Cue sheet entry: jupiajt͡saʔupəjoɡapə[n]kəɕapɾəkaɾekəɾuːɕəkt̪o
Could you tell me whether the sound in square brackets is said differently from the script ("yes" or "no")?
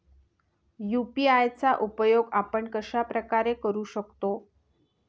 yes